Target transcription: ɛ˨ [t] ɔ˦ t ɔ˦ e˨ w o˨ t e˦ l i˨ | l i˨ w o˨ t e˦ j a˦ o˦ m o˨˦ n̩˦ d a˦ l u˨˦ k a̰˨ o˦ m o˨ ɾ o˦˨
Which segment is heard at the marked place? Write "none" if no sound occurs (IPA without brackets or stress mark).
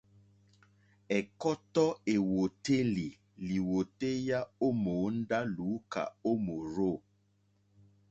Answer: k